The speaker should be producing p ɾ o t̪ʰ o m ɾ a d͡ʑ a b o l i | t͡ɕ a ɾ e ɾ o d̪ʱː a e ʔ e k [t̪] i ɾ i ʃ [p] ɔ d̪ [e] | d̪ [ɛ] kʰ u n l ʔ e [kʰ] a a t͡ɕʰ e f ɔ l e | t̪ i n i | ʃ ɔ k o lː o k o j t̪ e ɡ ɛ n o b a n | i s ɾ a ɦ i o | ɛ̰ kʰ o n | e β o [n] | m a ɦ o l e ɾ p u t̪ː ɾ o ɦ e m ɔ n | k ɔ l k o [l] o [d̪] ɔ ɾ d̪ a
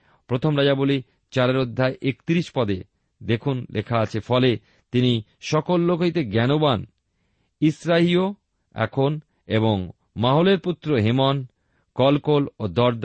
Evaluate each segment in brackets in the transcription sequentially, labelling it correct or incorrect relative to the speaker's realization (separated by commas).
correct, correct, correct, incorrect, correct, incorrect, correct, correct